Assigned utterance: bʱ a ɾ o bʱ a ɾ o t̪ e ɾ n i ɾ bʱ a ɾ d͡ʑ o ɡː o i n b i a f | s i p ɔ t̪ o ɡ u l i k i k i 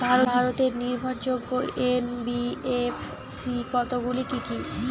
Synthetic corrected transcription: bʱ a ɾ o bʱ a ɾ o t̪ e ɾ n i ɾ bʱ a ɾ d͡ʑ o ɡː o e n b i e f | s i k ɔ t̪ o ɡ u l i k i k i